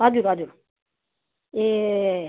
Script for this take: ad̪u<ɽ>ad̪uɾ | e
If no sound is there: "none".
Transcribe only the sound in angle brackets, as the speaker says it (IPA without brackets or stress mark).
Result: ɾ